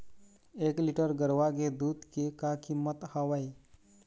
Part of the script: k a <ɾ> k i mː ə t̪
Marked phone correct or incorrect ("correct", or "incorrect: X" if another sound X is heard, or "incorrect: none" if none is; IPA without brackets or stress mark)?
incorrect: none